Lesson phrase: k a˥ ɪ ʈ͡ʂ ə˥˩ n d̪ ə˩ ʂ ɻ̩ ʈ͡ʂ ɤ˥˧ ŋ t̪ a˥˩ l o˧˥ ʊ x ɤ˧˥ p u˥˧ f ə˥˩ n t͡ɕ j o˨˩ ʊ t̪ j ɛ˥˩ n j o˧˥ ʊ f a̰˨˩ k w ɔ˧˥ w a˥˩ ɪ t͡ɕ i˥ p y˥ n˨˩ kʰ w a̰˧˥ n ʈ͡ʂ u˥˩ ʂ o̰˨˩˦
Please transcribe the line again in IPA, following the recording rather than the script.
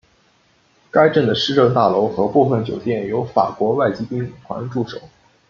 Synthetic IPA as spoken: k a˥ ɪ ʈ͡ʂ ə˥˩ n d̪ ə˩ ʂ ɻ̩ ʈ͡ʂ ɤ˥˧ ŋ t̪ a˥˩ l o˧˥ ʊ x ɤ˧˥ p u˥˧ f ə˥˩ n t͡ɕ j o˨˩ ʊ t̪ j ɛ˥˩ n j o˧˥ ʊ f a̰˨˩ k w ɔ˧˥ w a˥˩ ɪ t͡ɕ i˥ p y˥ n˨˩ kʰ w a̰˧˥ n ʈ͡ʂ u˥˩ ʂ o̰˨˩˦